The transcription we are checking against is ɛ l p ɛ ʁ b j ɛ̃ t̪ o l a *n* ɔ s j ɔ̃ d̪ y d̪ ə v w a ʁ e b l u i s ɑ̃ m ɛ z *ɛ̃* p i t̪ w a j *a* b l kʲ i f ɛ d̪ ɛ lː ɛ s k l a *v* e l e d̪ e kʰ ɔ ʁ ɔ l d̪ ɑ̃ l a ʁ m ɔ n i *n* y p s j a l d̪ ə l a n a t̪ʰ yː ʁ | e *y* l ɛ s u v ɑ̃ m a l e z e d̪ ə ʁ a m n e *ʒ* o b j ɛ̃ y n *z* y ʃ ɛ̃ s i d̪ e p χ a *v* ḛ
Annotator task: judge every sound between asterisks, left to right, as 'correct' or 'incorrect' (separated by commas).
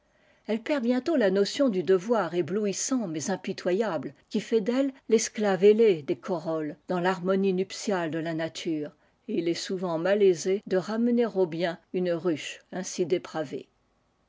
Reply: correct, correct, correct, correct, correct, incorrect, incorrect, incorrect, correct